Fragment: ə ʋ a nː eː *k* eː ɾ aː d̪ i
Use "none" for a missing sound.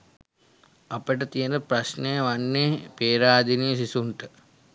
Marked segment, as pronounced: p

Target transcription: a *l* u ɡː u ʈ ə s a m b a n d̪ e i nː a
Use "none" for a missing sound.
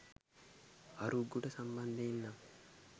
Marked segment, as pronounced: ɾ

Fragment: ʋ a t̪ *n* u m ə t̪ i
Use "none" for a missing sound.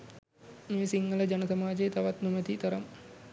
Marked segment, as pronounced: n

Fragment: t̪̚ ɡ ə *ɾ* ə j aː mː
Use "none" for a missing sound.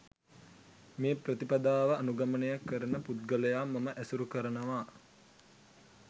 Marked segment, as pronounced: l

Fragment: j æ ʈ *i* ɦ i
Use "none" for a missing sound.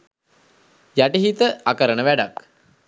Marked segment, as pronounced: i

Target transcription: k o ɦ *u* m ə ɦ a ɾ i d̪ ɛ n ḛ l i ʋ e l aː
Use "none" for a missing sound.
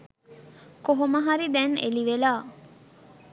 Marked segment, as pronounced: o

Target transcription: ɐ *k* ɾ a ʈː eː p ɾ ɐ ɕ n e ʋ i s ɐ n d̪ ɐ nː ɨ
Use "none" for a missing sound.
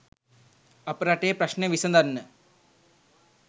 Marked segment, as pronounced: p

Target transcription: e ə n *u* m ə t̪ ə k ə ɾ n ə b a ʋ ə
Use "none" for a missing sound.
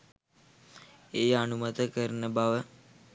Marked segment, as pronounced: u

